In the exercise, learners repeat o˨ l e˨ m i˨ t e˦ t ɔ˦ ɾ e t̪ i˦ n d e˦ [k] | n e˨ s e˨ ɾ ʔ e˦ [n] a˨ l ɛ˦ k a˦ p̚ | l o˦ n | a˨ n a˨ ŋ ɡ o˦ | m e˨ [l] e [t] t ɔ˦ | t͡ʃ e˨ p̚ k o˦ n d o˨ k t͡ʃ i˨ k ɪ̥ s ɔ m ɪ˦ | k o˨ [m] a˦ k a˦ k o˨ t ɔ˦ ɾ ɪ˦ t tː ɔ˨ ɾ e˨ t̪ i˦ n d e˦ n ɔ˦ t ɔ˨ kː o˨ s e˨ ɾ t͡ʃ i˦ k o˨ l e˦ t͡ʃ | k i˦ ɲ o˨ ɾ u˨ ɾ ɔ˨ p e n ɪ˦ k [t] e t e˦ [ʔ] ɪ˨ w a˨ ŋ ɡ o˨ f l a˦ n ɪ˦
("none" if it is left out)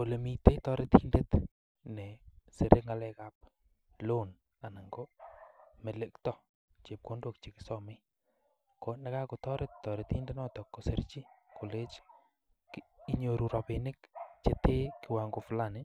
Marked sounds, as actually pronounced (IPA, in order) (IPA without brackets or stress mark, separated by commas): t, ŋ, l, k, n, t͡ʃ, k